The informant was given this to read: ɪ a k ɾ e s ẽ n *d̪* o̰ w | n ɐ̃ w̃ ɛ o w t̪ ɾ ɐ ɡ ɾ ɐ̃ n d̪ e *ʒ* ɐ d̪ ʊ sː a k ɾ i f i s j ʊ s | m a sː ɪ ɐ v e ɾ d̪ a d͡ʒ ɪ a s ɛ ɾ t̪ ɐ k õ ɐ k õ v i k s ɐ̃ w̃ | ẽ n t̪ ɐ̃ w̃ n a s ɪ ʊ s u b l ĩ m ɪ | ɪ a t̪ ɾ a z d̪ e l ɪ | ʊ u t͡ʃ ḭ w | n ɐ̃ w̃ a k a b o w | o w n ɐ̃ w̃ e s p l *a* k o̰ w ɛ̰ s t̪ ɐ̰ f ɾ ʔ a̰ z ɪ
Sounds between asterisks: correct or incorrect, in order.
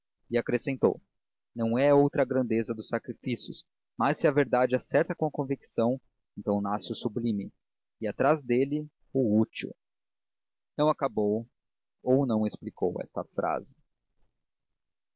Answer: incorrect, incorrect, incorrect

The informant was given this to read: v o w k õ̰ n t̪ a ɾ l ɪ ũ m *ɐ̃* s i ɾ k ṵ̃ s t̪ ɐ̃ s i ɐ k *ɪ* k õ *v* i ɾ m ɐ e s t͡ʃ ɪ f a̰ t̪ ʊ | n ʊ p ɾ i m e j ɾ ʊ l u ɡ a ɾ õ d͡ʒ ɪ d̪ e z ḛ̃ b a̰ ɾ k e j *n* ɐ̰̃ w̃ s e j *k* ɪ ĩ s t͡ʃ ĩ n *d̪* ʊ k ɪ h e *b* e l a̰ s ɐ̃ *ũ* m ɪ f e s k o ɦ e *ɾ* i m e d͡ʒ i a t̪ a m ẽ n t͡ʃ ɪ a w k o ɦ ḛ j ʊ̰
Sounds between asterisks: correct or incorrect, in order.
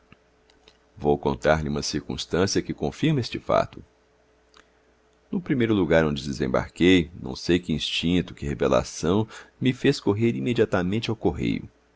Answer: incorrect, correct, incorrect, correct, correct, incorrect, incorrect, incorrect, correct

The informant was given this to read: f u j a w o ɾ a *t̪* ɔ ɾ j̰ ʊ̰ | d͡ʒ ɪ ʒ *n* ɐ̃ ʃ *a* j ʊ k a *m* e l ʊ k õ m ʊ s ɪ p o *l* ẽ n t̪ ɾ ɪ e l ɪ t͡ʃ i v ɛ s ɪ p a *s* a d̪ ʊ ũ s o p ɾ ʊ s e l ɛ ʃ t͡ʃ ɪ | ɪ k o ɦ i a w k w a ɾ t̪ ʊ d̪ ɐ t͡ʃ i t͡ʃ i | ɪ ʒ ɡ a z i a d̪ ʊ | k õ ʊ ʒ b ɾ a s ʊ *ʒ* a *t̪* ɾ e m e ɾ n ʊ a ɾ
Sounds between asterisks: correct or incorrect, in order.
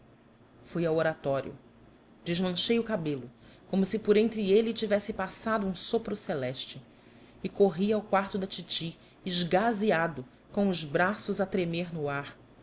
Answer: correct, incorrect, incorrect, incorrect, incorrect, correct, incorrect, correct

